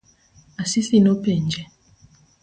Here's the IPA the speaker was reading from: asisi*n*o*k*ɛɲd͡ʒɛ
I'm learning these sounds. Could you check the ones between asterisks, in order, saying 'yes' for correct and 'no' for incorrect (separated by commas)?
yes, no